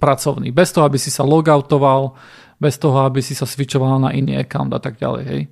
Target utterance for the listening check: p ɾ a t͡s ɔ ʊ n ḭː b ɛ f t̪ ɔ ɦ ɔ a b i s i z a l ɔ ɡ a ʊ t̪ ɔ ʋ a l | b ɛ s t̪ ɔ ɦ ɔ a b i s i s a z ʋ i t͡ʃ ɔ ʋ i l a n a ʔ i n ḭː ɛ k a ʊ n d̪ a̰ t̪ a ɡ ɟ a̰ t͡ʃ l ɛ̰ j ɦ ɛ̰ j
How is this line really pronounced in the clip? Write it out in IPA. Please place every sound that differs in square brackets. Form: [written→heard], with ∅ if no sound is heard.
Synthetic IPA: p ɾ a t͡s ɔ ʊ n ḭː b ɛ [f→s] t̪ ɔ ɦ ɔ a b i s i [z→s] a l ɔ ɡ a ʊ t̪ ɔ ʋ a l | b ɛ s t̪ ɔ ɦ ɔ a b i s i s a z ʋ i t͡ʃ ɔ ʋ [i→a] l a n a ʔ i n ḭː ɛ k a ʊ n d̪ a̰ t̪ a ɡ ɟ a̰ [t͡ʃ→∅] l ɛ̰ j ɦ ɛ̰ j